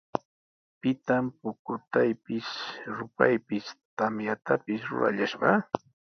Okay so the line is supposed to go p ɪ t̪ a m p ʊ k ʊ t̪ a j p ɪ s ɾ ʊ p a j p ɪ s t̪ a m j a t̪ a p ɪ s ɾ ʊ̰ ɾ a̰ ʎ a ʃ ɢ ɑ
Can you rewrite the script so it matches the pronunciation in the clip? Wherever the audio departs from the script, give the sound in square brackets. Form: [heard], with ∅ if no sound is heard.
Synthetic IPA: p ɪ t̪ a m p ʊ k ʊ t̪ a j p ɪ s ɾ ʊ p a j p ɪ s t̪ a m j a t̪ a p ɪ s ɾ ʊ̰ ɾ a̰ ʎ a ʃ ɢ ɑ